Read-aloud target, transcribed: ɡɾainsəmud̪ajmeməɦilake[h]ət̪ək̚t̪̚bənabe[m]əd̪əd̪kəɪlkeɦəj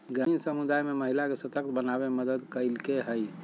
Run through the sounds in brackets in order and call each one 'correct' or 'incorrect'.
incorrect, correct

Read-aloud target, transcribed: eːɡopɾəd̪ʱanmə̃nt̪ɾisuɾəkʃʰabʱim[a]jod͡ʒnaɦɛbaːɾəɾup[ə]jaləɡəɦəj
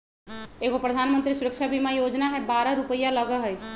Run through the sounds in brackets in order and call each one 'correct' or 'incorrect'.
correct, correct

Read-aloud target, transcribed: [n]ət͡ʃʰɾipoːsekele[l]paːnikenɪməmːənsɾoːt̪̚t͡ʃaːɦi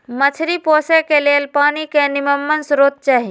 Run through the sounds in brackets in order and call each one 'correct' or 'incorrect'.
incorrect, correct

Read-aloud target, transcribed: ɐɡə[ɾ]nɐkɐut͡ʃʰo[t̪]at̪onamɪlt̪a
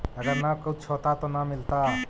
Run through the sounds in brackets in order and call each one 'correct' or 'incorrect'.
correct, correct

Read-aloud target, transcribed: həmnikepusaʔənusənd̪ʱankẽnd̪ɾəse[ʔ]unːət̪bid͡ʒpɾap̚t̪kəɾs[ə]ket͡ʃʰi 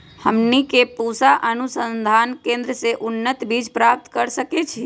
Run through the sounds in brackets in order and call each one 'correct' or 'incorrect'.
correct, correct

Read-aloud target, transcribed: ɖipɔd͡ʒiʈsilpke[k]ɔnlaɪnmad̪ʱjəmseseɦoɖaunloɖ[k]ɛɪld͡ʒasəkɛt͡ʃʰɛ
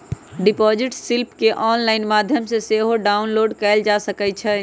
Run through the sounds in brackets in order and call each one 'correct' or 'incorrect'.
incorrect, correct

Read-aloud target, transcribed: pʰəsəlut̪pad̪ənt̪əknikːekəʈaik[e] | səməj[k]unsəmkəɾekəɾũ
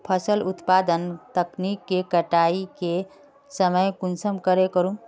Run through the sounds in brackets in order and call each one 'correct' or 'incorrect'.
correct, correct

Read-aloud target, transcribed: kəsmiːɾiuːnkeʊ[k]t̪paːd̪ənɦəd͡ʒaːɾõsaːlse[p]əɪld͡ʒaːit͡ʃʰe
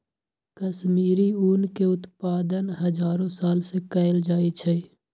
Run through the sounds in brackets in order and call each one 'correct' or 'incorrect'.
incorrect, incorrect

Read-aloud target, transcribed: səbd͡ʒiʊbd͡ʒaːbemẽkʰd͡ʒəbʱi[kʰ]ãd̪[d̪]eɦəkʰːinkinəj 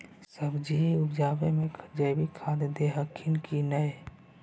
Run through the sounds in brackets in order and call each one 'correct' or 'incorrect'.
correct, correct

